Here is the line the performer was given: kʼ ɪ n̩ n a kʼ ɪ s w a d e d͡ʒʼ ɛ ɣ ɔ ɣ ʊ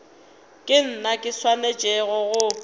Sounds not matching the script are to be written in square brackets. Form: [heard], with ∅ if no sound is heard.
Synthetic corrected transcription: kʼ ɪ n̩ n a kʼ ɪ s w a [n] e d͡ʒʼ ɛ ɣ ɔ ɣ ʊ